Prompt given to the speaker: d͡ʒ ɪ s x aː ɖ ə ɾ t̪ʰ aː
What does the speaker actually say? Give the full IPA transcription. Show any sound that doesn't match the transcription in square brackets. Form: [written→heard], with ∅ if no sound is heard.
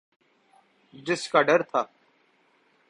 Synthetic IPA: d͡ʒ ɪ s [x→k] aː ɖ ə ɾ t̪ʰ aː